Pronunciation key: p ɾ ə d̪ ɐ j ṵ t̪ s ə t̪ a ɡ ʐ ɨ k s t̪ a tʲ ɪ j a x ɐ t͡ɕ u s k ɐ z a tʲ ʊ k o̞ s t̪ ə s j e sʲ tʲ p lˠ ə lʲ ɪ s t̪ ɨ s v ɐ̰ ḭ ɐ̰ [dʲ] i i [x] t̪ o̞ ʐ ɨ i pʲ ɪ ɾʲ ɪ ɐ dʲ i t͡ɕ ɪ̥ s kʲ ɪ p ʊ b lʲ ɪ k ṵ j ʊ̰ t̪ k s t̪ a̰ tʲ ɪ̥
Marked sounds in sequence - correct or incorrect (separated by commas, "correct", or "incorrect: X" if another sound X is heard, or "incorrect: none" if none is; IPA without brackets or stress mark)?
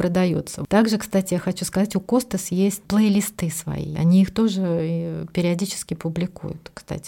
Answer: incorrect: nʲ, correct